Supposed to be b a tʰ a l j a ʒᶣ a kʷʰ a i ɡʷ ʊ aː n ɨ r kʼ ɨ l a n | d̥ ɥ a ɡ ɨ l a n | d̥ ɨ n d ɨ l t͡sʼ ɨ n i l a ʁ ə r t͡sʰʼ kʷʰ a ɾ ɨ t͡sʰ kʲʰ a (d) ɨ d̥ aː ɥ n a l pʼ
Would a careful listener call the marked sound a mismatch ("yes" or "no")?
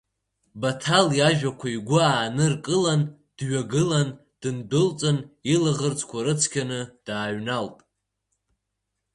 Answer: yes